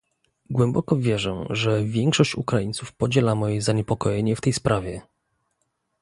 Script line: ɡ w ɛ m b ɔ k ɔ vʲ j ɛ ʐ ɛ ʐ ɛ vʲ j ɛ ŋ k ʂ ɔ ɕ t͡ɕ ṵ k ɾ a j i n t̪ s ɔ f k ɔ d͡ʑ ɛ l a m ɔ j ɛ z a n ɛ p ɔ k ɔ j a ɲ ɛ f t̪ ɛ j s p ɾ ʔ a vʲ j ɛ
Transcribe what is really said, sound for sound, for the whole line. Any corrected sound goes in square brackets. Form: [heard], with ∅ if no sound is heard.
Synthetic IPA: ɡ w ɛ m b ɔ k ɔ vʲ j ɛ ʐ ɛ ʐ ɛ vʲ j ɛ ŋ k ʂ ɔ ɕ t͡ɕ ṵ k ɾ a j i n t̪ s [u] f [p] ɔ d͡ʑ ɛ l a m ɔ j ɛ z a [ɲ] ɛ p ɔ k ɔ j [ɛ] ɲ ɛ f t̪ ɛ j s p ɾ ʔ a vʲ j ɛ